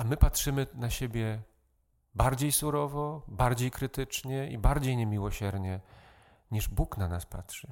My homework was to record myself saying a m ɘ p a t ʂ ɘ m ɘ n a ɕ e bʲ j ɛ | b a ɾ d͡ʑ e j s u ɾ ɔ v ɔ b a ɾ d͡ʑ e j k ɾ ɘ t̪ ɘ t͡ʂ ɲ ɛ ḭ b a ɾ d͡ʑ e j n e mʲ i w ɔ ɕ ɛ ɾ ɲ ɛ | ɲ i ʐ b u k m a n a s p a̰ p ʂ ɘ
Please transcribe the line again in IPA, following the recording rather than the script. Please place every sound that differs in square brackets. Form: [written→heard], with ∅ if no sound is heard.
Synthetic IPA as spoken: a m ɘ p a t ʂ ɘ m ɘ n a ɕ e bʲ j ɛ | b a ɾ d͡ʑ e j s u ɾ ɔ v ɔ b a ɾ d͡ʑ e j k ɾ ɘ t̪ ɘ t͡ʂ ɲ ɛ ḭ b a ɾ d͡ʑ e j [n→ɲ] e mʲ i w ɔ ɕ ɛ ɾ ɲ ɛ | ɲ i ʐ b u k [m→n] a n a s p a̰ [p→t] ʂ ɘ